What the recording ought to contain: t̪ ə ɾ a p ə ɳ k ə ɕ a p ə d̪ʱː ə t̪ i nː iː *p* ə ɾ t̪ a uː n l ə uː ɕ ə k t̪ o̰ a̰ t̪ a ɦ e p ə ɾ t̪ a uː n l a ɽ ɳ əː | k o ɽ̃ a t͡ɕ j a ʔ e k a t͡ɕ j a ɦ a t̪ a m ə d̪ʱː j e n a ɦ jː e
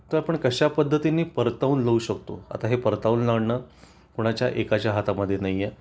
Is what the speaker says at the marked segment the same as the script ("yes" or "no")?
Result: yes